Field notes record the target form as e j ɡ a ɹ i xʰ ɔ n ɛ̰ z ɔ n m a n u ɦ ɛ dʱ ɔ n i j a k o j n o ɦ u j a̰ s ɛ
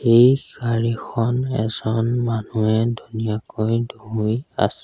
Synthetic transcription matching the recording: e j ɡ a ɹ i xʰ ɔ n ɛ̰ z ɔ n m a n u ɛ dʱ u n i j a k o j d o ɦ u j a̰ s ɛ

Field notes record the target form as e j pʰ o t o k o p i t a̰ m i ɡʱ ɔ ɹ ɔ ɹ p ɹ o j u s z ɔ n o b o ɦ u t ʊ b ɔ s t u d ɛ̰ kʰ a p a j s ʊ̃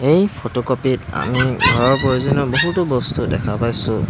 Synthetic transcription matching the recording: e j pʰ o t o k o p i t a̰ m i ɡʱ ɔ ɹ ɔ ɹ p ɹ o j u z ɔ n ɔ b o ɦ u t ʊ b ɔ s t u d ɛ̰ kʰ a p a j s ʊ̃

